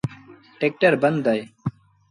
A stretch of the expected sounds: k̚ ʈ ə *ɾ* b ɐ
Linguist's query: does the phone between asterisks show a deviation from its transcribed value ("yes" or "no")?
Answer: no